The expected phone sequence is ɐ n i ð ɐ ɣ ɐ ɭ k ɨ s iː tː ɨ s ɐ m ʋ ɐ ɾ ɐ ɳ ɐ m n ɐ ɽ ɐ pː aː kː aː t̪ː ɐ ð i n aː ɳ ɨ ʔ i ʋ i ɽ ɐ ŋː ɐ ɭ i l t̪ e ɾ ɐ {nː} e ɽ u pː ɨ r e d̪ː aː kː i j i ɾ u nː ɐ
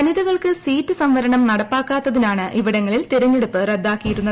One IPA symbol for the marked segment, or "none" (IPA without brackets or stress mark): ɲː